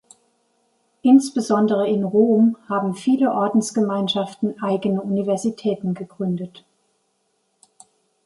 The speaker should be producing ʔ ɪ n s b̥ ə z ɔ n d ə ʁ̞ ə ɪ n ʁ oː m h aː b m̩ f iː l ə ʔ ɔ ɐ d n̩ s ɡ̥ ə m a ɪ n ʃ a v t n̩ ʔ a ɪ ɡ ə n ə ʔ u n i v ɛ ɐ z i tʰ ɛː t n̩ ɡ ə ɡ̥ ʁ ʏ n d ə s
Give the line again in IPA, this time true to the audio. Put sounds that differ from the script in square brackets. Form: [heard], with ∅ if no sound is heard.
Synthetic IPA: ʔ ɪ n s b̥ ə z ɔ n d ə ʁ̞ ə ɪ n ʁ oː m h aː b m̩ f iː l ə ʔ ɔ ɐ d n̩ s ɡ̥ ə m a ɪ n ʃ a [f] t n̩ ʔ a ɪ ɡ ə n ə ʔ u n i v ɛ ɐ z i tʰ ɛː t n̩ ɡ ə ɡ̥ ʁ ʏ n d ə [t]